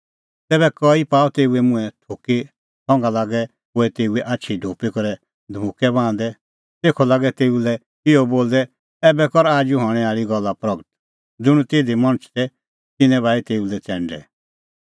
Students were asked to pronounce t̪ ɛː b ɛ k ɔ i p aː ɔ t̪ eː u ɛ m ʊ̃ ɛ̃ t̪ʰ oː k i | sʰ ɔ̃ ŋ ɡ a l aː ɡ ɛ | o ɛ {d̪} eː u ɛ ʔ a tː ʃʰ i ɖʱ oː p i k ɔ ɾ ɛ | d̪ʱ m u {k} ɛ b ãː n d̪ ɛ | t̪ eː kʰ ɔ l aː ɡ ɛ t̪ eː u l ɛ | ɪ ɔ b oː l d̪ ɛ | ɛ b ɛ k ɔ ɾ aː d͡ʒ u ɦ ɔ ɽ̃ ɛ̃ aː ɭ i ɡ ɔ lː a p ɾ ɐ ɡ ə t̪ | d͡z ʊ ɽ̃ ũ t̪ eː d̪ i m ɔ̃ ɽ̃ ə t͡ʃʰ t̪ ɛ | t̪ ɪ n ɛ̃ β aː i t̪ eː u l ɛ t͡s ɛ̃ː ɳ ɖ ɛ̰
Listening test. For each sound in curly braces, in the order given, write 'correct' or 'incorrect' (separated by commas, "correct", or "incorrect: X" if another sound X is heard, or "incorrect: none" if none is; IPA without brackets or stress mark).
incorrect: t̪, correct